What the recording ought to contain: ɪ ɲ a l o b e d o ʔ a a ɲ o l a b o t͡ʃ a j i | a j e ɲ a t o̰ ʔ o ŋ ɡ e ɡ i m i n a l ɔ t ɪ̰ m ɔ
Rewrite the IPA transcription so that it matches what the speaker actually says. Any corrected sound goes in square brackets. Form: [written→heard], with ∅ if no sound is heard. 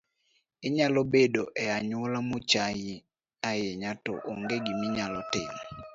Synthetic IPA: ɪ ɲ a l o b e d o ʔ [a→ɛ] a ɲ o l a [b→m] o t͡ʃ a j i | a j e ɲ a t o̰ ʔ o ŋ ɡ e ɡ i m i [n→ɲ] a l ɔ t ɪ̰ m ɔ